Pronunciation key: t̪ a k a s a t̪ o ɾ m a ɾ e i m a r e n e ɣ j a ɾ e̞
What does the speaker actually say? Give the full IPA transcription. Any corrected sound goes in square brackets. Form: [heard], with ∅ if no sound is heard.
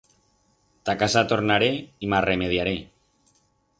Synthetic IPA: t̪ a k a s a t̪ o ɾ [n] a ɾ e i m a r e [m] e [ð] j a ɾ e̞

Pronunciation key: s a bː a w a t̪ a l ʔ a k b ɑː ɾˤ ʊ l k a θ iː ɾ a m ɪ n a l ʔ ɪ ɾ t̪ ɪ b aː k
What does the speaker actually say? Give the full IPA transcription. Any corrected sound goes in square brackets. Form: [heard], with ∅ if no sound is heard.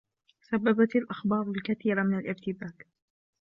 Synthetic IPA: s a bː a [b] a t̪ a l ʔ a [x] b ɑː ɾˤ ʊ l k a θ iː ɾ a m ɪ n a l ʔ ɪ ɾ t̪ ɪ b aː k

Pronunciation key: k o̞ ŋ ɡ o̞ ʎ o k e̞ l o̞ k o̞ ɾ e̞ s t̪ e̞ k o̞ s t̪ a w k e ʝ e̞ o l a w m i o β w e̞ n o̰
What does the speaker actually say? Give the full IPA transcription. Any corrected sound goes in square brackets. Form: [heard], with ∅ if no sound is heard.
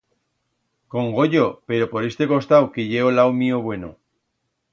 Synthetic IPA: k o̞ ŋ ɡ o̞ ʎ o [p] e̞ [ɾ] o̞ [p] o̞ ɾ e̞ s t̪ e̞ k o̞ s t̪ a w k e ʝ e̞ o l a w m i o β w e̞ n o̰

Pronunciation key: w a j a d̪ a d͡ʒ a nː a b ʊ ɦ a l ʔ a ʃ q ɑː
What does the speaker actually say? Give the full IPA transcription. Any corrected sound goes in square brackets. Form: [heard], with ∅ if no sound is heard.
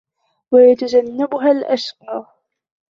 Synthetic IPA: w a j a [t̪] a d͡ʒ a nː a b ʊ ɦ a l ʔ a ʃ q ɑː

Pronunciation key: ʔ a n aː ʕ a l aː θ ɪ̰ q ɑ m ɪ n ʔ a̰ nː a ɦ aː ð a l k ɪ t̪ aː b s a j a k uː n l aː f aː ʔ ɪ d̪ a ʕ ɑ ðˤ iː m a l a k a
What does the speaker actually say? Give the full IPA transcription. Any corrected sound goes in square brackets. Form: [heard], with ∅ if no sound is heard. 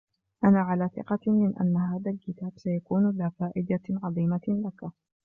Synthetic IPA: ʔ a n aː ʕ a l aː θ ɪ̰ q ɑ m ɪ n ʔ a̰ nː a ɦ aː ð a l k ɪ t̪ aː b s a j a k uː n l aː f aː ʔ ɪ d̪ a ʕ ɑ ðˤ iː m a l a k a

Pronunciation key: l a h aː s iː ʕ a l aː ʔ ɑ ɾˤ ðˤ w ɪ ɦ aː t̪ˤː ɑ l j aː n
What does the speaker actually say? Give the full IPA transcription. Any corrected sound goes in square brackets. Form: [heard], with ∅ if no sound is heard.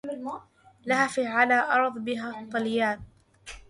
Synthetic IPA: l a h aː [f] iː ʕ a l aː ʔ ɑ ɾˤ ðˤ [b] ɪ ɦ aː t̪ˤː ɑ l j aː n

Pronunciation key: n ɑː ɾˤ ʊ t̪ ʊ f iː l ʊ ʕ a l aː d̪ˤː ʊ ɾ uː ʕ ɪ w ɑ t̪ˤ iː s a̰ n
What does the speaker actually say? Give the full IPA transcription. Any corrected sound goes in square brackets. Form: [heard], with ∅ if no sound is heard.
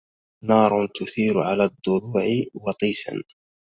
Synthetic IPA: n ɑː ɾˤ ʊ t̪ ʊ [θ] iː [ɾ] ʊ ʕ a l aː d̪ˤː ʊ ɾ uː ʕ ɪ w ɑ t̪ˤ iː s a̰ n

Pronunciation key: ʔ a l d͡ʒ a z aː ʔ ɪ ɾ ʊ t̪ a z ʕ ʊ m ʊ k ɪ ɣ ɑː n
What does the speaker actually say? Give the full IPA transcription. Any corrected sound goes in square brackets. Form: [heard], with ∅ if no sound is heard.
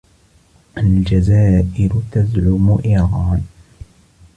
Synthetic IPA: ʔ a l d͡ʒ a z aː ʔ ɪ ɾ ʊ t̪ a z ʕ ʊ m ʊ [ʔ] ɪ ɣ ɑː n

